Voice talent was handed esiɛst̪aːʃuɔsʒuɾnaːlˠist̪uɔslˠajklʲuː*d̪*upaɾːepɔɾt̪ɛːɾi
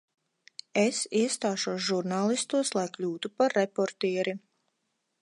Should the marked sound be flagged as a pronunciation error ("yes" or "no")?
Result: yes